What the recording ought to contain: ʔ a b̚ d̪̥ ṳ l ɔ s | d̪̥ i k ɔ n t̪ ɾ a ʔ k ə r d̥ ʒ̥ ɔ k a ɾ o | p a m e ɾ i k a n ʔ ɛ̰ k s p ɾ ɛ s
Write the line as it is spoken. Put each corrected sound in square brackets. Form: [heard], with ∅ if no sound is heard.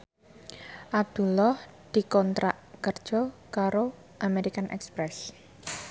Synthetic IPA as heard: ʔ a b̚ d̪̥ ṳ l ɔ [h] | d̪̥ i k ɔ n t̪ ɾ a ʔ k ə r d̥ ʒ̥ ɔ k a ɾ o | [ʔ] a m e ɾ i k a n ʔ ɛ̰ k s p ɾ ɛ s